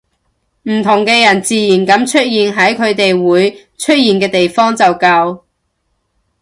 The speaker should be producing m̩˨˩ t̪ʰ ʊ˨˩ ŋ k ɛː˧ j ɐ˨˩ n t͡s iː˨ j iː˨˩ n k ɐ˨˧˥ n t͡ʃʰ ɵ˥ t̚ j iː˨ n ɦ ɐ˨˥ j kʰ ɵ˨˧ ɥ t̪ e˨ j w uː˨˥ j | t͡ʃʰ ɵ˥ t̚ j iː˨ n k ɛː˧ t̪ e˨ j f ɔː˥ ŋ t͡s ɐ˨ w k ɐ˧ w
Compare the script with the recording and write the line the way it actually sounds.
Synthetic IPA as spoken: m̩˨˩ t̪ʰ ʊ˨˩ ŋ k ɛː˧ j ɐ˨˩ n t͡s iː˨ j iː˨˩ n k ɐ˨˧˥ m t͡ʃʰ ɵ˥ t̚ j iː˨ n ɦ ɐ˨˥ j kʰ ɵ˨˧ ɥ t̪ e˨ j w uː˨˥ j | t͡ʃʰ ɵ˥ t̚ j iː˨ n k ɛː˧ t̪ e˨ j f ɔː˥ ŋ t͡s ɐ˨ w k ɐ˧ w